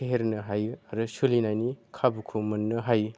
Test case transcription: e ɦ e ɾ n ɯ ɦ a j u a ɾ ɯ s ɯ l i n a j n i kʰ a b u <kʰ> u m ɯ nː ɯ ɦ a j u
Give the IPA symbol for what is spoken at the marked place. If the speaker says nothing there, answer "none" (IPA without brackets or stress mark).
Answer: kʰ